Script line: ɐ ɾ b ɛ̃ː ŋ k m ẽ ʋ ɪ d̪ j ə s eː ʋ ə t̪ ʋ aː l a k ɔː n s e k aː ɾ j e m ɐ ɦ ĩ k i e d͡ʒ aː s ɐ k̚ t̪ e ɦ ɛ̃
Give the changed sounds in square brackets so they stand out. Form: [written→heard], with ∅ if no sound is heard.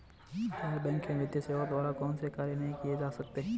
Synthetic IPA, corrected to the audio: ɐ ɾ b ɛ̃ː ŋ k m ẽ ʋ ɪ d̪ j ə s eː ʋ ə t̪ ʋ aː l a k ɔː n s e k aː ɾ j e [m→n] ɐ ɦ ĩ k i e d͡ʒ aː s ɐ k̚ t̪ e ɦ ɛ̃